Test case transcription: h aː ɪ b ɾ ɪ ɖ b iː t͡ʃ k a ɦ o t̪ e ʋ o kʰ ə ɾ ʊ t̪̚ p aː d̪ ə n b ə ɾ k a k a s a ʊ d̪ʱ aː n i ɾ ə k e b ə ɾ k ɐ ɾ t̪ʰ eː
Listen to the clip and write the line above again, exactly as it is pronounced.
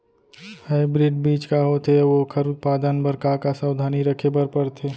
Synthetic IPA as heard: h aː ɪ b ɾ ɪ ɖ b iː t͡ʃ k a ɦ o t̪ e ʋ o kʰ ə ɾ ʊ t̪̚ p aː d̪ ə n b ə ɾ k a k a s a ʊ d̪ʱ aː n i ɾ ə kʰ e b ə ɾ p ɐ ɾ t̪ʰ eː